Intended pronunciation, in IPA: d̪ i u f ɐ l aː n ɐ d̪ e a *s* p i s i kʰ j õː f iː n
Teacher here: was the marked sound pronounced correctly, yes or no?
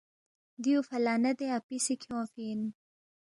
no